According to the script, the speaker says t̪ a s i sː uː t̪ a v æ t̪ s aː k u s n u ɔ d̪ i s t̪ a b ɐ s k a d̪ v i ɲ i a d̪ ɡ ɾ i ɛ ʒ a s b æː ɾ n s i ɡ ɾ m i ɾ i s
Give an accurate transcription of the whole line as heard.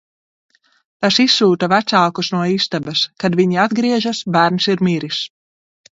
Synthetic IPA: t̪ a s i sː uː t̪ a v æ t̪ s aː k u s n u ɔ i s t̪ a b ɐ s k a d̪ v i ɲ i a d̪ ɡ ɾ i ɛ ʒ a s b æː ɾ n s i ɾ m i ɾ i s